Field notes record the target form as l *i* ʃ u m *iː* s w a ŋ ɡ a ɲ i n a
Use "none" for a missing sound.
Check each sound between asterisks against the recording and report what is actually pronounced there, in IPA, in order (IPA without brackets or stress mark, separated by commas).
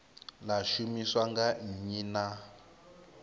a, i